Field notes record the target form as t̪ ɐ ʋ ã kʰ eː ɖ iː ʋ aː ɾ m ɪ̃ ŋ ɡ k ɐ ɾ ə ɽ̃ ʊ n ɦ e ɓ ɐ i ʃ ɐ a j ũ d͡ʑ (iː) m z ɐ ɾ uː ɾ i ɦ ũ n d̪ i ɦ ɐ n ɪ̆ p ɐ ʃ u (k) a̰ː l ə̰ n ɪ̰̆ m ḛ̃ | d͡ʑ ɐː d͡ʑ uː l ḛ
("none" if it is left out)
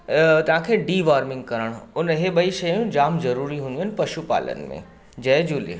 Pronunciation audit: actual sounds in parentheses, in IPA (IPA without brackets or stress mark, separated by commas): aː, p